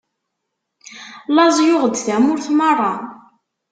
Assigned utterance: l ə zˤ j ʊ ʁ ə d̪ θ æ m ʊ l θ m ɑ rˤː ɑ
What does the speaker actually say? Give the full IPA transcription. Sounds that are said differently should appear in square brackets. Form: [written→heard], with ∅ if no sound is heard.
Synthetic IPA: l [ə→ɑ] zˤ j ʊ ʁ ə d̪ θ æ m ʊ [l→ɾ] θ m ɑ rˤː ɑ

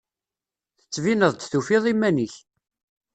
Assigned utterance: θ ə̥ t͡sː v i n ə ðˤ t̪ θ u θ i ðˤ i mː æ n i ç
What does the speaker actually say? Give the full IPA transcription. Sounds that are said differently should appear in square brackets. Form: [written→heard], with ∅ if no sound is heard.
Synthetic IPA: θ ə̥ t͡sː v i n ə ðˤ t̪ θ u [θ→f] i ðˤ i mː æ n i ç

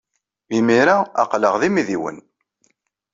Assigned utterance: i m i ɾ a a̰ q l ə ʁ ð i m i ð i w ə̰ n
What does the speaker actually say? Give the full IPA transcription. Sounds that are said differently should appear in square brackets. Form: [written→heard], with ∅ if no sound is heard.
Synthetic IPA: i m i ɾ a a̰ q l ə ʁ ð i m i ð i w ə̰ n

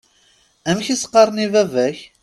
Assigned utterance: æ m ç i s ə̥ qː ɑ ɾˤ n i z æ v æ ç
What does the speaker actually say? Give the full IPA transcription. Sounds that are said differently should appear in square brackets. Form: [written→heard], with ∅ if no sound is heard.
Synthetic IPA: æ m ç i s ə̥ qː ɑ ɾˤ n i [z→v] æ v æ ç

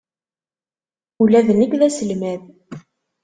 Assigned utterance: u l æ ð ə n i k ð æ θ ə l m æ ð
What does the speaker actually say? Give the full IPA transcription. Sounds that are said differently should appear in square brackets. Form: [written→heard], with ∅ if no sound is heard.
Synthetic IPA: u l æ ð ə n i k ð æ [θ→s] ə l m æ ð

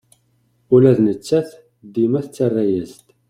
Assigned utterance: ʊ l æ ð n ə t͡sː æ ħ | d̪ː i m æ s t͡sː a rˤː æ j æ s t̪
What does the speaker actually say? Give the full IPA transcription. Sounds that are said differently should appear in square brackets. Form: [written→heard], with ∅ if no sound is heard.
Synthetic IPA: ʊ l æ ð n ə t͡sː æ [ħ→θ] | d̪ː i m æ [s→θ] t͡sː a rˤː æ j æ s t̪

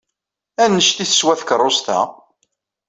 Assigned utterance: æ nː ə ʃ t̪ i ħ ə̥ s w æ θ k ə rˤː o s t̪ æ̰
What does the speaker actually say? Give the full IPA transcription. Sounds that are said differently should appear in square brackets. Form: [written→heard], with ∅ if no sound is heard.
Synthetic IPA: æ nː ə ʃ t̪ i [ħ→θ] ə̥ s w æ θ k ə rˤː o s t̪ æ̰

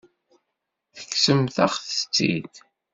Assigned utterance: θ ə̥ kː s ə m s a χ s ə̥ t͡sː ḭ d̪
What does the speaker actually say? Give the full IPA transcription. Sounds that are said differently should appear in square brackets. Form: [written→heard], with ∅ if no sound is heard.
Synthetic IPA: θ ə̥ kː s ə m [s→θ] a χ [s→θ] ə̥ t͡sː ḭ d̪

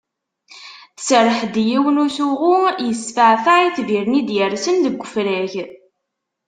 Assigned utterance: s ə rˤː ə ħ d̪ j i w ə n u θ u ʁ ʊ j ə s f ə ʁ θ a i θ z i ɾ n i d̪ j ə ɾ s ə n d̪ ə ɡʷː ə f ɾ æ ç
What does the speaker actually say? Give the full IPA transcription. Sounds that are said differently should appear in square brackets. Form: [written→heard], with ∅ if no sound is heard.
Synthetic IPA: s ə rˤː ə ħ d̪ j i w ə n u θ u ʁ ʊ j ə s f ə [ʁ→ʕ] θ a i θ [z→v] i ɾ n i d̪ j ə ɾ s ə n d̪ ə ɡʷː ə f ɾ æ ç

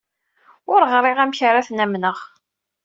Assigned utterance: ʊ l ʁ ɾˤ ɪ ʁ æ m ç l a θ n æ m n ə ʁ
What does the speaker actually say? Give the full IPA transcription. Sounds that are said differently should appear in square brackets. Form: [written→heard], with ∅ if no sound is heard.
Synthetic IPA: ʊ [l→ɾ] ʁ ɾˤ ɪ ʁ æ m ç [l→ɾ] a θ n æ m n ə ʁ

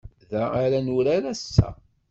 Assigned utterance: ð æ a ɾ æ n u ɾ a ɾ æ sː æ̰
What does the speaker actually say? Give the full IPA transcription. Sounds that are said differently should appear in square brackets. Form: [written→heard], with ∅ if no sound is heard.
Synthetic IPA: ð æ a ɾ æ n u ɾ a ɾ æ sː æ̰

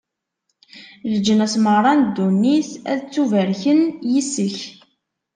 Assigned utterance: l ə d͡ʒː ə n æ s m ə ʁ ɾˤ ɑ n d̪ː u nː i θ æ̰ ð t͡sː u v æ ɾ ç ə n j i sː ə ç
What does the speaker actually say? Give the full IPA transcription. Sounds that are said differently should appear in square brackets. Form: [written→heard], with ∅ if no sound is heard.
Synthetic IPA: l ə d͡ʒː ə n æ s m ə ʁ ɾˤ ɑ n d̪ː u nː i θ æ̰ ð t͡sː u v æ ɾ ç ə n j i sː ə ç

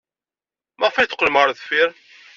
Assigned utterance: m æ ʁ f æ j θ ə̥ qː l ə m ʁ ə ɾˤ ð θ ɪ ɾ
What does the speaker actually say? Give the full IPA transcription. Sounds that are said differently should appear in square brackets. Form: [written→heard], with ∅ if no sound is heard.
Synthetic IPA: m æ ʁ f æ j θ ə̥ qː l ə m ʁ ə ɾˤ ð [θ→f] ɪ ɾ

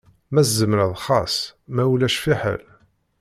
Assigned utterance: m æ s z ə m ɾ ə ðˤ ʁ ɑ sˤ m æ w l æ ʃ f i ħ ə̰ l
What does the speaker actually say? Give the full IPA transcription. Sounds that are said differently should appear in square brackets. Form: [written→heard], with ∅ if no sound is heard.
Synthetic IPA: m æ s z ə m ɾ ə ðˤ [ʁ→χ] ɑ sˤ m æ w l æ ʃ f i ħ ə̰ l

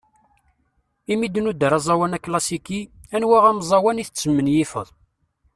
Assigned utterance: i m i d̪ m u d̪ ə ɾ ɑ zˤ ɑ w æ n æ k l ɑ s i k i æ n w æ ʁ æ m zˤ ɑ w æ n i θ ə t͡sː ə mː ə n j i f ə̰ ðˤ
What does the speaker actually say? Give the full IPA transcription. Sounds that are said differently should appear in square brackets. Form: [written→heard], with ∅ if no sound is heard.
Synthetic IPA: i m i d̪ [m→n] u d̪ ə ɾ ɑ zˤ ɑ w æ n æ k l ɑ s i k i æ n w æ ʁ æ m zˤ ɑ w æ n i θ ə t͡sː ə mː ə n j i f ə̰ ðˤ

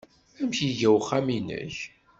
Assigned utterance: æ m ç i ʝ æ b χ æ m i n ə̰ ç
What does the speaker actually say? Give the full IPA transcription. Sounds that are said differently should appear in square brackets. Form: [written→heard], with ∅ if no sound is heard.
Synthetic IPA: æ m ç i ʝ æ [b→w] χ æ m i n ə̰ ç

